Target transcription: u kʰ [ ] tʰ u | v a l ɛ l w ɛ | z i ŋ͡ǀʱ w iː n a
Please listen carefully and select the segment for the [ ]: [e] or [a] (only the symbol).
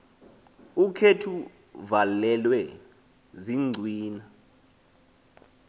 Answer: e